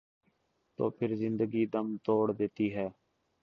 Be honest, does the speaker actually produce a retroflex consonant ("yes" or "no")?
yes